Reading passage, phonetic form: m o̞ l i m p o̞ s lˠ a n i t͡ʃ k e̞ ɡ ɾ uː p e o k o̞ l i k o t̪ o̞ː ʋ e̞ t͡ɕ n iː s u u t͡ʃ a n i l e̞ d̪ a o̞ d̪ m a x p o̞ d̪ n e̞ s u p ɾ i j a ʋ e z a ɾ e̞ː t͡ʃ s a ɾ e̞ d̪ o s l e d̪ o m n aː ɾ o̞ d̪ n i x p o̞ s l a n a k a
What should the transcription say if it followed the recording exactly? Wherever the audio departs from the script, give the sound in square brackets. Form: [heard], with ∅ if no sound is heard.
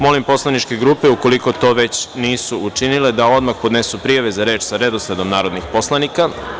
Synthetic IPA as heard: m o̞ l i m p o̞ s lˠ a n i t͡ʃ k e̞ ɡ ɾ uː p e [u] k o̞ l i k o t̪ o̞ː ʋ e̞ t͡ɕ n iː s u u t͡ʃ [i] n i l e̞ d̪ a o̞ d̪ m a x p o̞ d̪ n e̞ s u p ɾ i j a ʋ e z a ɾ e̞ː t͡ʃ s a ɾ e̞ d̪ o s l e d̪ o m n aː ɾ o̞ d̪ n i x p o̞ s l a n [i] k a

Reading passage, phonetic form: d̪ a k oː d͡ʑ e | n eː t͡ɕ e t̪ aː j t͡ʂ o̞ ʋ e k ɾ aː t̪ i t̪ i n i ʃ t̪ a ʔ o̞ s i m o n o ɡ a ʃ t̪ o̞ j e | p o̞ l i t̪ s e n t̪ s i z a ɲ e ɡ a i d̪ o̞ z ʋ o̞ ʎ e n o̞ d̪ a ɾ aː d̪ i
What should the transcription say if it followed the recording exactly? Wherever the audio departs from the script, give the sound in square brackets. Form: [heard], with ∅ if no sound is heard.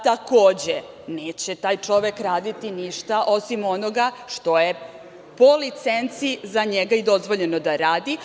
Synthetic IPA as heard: [t̪] a k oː d͡ʑ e | n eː t͡ɕ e t̪ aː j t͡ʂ o̞ ʋ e k ɾ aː [d̪] i t̪ i n i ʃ t̪ a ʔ o̞ s i m o n o ɡ a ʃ t̪ o̞ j e | p o̞ l i t̪ s e n t̪ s i z a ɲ e ɡ a i d̪ o̞ z ʋ o̞ ʎ e n o̞ d̪ a ɾ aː d̪ i

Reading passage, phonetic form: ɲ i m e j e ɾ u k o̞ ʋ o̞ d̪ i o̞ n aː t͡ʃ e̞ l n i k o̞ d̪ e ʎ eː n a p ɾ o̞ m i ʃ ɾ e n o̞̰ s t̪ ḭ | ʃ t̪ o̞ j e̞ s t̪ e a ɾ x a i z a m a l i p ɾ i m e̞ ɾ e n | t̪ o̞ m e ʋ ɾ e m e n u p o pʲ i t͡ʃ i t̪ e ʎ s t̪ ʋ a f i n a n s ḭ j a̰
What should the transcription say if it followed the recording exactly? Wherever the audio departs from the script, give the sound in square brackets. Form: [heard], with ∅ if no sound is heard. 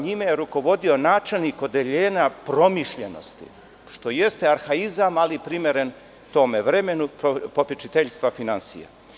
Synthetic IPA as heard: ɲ i m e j e ɾ u k o̞ ʋ o̞ d̪ i o̞ n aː t͡ʃ e̞ l n i k o̞ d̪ e ʎ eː n a p ɾ o̞ m i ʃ [ʎ] e n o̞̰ s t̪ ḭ | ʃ t̪ o̞ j e̞ s t̪ e a ɾ x a i z a m a l i p ɾ i m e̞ ɾ e n | t̪ o̞ m e ʋ ɾ e m e n u p o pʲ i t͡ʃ i t̪ e ʎ s t̪ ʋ a f i n a n s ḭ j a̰

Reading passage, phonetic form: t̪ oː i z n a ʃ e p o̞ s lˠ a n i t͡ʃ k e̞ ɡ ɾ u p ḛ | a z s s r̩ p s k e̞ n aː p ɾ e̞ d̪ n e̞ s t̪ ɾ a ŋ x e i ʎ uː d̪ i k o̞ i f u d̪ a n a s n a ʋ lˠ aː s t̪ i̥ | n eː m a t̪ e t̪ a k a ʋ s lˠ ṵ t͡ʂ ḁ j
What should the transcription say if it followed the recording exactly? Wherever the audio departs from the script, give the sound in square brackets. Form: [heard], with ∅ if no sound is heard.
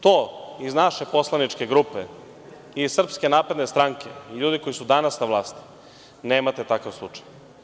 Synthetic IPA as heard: t̪ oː i z n a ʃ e p o̞ s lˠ a n i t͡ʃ k e̞ ɡ ɾ u p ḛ | [i] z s s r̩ p s k e̞ n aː p ɾ e̞ d̪ n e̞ s t̪ ɾ a ŋ [k] e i ʎ uː d̪ i k o̞ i [s] u d̪ a n a s n a ʋ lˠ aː s t̪ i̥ | n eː m a t̪ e t̪ a k a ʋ s lˠ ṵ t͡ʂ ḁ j

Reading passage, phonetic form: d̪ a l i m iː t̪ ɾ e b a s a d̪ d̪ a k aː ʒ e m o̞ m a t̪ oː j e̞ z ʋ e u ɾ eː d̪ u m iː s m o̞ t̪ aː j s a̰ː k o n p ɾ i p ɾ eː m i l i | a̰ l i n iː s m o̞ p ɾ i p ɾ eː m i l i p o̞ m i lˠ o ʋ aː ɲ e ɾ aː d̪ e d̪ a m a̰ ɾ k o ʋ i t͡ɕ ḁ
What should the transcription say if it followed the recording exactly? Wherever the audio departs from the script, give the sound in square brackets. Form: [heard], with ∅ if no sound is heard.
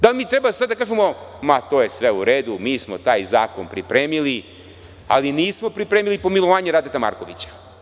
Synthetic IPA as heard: d̪ a l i m iː t̪ ɾ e b a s a d̪ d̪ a k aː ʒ e m o̞ m a t̪ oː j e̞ [s] ʋ e u ɾ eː d̪ u m iː s m o̞ t̪ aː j [z] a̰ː k o n p ɾ i p ɾ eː m i l i | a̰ l i n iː s m o̞ p ɾ i p ɾ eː m i l i p o̞ m i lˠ o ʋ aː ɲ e ɾ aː d̪ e [t̪] a m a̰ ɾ k o ʋ i t͡ɕ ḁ

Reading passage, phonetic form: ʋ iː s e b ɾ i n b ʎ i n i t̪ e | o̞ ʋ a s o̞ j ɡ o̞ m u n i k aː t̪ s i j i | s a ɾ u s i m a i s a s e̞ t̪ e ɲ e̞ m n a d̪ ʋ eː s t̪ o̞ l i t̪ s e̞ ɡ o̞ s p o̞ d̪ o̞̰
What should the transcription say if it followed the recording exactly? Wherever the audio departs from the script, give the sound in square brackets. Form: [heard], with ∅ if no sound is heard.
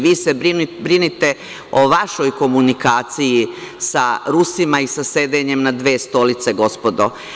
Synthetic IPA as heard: ʋ iː s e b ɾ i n b [ɾ] i n i t̪ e | o̞ ʋ a [ʃ] o̞ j [k] o̞ m u n i k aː t̪ s i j i | s a ɾ u s i m a i s a s e̞ [d̪] e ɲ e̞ m n a d̪ ʋ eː s t̪ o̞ l i t̪ s e̞ ɡ o̞ s p o̞ d̪ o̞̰

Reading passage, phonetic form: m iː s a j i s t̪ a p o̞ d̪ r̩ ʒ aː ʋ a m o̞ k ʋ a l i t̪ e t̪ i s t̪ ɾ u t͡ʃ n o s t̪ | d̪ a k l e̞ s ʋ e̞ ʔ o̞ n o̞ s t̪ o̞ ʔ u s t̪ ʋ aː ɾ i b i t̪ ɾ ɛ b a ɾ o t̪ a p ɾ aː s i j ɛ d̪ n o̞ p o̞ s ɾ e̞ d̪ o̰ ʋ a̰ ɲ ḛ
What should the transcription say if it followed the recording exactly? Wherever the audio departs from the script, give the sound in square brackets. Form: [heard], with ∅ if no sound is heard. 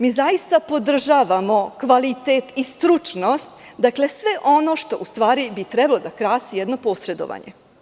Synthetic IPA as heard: m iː [z] a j i s t̪ a p o̞ d̪ r̩ ʒ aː ʋ a m o̞ k ʋ a l i t̪ e t̪ i s t̪ ɾ u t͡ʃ n o s t̪ | d̪ a k l e̞ s ʋ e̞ ʔ o̞ n o̞ [ʃ] t̪ o̞ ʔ u s t̪ ʋ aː ɾ i b i t̪ ɾ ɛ b a [l] o [d̪] a [k] ɾ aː s i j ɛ d̪ n o̞ p o̞ s ɾ e̞ d̪ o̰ ʋ a̰ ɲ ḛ

